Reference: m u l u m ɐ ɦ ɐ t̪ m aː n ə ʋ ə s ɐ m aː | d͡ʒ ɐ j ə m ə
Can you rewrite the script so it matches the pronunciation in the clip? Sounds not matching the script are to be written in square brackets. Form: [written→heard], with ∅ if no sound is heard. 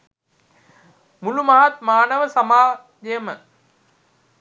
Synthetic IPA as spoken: m u l u m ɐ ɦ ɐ t̪ m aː n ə ʋ ə s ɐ m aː | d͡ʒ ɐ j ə m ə